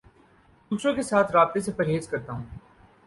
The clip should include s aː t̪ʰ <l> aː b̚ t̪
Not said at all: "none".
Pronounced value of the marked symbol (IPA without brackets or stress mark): ɾ